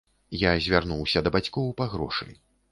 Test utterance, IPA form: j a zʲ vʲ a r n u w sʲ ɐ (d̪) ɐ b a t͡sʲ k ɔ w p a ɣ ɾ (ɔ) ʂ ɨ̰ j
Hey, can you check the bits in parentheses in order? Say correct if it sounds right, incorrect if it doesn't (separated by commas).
correct, correct